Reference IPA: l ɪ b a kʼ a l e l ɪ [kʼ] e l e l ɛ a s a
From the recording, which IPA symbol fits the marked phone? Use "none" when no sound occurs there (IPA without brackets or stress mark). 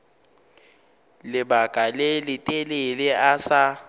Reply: tʼ